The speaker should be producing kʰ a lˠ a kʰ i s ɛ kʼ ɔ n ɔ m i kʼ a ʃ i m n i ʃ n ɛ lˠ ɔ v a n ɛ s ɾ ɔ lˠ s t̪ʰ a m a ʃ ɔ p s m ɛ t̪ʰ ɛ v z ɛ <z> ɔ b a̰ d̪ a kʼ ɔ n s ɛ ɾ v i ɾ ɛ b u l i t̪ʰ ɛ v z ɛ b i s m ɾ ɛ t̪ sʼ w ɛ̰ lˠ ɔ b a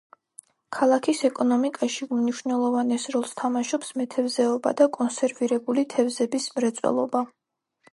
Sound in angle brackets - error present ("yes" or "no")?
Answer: yes